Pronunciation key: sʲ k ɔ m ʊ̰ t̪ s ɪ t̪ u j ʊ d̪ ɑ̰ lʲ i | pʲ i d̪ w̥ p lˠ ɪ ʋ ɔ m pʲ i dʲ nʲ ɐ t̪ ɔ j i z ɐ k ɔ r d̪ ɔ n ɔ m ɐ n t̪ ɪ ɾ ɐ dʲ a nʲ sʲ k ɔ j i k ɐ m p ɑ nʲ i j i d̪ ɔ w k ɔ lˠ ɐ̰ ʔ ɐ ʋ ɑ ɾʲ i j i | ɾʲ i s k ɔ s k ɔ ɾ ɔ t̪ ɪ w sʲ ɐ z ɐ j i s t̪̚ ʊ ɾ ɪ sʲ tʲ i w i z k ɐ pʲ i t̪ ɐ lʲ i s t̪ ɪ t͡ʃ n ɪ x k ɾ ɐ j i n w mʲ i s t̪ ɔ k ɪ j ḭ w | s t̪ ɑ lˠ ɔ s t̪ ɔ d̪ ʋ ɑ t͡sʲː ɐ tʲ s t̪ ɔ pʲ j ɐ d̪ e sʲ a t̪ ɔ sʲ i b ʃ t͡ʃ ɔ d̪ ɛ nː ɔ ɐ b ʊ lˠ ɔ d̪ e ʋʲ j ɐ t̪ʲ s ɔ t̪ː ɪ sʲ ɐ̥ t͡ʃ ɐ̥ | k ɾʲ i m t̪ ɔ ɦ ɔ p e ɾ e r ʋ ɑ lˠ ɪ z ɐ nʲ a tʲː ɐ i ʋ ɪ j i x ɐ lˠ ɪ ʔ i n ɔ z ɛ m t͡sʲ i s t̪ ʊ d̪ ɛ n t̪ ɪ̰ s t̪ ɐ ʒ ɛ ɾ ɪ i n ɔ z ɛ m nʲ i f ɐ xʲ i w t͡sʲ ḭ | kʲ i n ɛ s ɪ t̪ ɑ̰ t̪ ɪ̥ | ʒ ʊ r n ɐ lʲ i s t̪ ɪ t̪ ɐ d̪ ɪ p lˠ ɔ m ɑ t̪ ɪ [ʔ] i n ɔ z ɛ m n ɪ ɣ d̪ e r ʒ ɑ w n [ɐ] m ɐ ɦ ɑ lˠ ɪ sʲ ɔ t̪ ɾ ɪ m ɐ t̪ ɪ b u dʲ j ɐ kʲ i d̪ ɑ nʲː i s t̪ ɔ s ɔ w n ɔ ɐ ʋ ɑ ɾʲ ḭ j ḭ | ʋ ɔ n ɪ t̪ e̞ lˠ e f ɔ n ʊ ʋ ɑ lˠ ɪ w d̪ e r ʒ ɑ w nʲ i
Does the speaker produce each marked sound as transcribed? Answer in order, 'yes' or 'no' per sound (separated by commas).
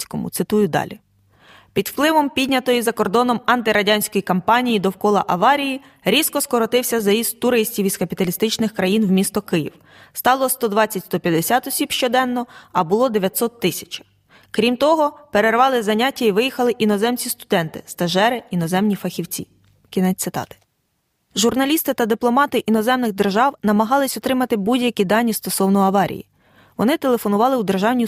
yes, yes